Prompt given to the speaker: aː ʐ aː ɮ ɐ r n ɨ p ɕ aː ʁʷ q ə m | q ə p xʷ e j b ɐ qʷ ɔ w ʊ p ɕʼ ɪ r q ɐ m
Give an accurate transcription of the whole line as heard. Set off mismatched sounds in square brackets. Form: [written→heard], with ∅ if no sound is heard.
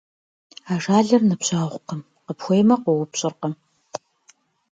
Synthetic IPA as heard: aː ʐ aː ɮ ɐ r n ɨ p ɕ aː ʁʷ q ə m | q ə p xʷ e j [b→m] ɐ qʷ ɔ w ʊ p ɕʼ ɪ r q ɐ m